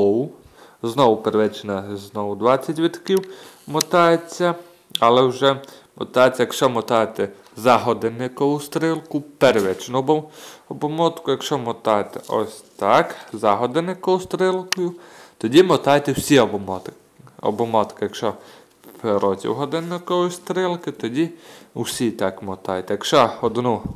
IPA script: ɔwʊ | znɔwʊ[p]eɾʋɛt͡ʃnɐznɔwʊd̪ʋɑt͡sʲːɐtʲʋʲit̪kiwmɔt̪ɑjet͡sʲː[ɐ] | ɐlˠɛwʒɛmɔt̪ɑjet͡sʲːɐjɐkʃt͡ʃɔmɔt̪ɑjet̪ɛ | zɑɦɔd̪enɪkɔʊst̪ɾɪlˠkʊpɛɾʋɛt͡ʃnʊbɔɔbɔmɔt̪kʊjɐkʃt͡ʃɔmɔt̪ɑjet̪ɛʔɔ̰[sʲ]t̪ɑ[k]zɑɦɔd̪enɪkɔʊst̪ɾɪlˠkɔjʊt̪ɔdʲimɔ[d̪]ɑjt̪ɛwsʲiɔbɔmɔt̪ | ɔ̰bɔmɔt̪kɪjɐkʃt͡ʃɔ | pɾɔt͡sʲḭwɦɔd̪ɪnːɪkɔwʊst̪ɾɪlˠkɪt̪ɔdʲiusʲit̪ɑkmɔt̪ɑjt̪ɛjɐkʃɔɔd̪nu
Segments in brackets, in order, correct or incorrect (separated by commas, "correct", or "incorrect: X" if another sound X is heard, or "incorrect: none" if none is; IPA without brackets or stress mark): correct, correct, correct, correct, incorrect: t̪